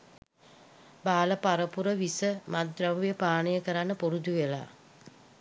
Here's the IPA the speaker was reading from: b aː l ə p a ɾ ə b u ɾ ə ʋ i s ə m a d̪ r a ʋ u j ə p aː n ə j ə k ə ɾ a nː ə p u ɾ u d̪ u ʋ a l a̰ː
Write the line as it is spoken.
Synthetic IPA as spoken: b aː l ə p a ɾ ə p u ɾ ə ʋ i s ə m a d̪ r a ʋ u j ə p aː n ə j ə k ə ɾ a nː ə p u ɾ u d̪ u ʋ e l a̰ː